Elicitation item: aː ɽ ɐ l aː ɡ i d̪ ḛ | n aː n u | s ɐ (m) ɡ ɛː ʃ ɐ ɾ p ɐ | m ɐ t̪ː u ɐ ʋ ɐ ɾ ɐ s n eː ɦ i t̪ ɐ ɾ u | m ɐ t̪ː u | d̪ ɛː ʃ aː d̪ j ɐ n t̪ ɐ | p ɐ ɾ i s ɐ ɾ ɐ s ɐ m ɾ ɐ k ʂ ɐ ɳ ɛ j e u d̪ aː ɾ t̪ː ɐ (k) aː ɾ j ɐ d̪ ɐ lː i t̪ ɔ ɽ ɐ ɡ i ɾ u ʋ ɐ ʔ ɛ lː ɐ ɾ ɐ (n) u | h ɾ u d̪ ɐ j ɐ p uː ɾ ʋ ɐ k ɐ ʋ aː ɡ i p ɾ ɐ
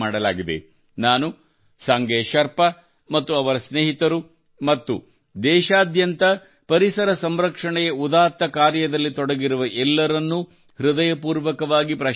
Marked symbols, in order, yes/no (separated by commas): no, yes, no